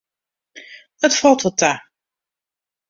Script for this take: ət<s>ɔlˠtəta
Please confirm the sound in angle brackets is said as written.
no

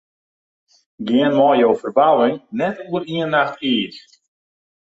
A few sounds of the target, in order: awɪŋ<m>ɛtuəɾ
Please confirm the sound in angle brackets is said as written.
no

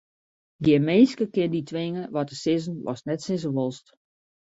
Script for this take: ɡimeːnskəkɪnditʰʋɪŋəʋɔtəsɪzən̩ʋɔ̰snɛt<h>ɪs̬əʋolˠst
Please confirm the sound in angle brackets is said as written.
no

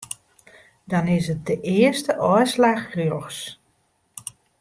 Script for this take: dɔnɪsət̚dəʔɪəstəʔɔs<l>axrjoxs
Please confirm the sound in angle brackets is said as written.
yes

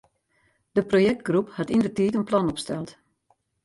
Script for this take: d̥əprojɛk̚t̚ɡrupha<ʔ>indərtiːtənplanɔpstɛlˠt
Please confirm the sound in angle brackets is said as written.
no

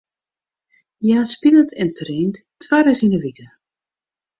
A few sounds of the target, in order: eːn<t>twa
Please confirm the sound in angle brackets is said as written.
yes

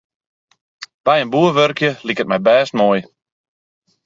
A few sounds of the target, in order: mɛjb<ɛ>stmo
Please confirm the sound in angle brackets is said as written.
no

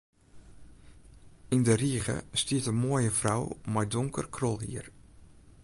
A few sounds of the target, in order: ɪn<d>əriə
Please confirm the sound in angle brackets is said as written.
yes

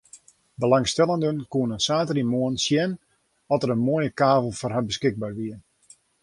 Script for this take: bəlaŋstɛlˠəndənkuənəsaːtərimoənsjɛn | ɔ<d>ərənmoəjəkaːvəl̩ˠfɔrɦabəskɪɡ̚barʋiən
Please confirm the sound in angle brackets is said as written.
no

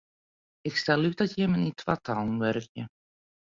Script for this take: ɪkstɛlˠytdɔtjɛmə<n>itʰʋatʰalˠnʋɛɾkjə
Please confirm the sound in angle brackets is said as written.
yes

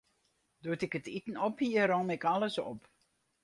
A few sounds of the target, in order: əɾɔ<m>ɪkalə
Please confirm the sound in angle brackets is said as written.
yes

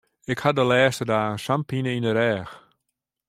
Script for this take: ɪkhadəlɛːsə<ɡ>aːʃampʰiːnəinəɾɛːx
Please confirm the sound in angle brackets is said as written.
no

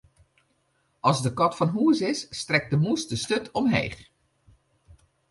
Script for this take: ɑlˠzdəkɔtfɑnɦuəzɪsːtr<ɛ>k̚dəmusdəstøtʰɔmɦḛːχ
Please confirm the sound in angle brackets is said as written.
yes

